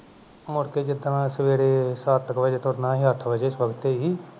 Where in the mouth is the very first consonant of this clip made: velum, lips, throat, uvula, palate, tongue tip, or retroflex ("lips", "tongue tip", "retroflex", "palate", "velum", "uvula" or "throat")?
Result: lips